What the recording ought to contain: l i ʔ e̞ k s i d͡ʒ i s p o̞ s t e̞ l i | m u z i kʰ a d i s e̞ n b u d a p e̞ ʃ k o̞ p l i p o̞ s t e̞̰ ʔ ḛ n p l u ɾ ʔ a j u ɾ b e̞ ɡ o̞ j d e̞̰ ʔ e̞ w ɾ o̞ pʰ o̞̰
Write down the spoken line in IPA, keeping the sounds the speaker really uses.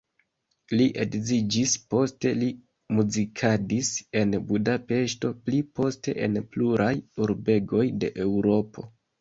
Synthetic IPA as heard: l i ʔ e̞ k z i d͡ʒ i s p o̞ s t e̞ l i | m u z i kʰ a d i s e̞ n b u d a p e̞ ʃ t o̞ p l i p o̞ s t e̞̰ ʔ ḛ n p l u ɾ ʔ a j u ɾ b e̞ ɡ o̞ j d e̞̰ ʔ e̞ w ɾ o̞ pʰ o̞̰